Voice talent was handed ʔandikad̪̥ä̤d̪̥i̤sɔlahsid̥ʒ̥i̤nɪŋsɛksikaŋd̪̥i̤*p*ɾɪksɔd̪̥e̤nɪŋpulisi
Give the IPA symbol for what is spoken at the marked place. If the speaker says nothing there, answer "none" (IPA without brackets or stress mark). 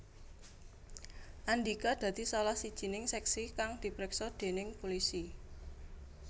p